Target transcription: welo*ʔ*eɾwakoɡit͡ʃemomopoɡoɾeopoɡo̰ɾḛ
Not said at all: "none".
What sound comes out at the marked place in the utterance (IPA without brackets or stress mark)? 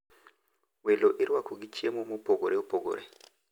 ʔ